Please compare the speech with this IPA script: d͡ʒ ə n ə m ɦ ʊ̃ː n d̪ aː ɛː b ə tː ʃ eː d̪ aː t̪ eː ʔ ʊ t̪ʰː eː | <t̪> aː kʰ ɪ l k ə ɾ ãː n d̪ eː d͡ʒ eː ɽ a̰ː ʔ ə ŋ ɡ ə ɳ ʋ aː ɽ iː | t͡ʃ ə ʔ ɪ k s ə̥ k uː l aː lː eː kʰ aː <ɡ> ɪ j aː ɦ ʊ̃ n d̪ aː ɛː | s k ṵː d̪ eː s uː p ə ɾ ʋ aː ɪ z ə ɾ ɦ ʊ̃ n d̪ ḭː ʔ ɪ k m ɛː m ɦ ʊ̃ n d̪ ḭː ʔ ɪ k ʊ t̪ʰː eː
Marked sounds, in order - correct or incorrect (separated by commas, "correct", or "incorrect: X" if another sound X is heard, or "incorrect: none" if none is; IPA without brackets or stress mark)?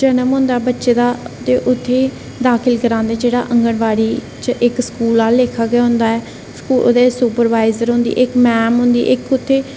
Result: incorrect: d̪, correct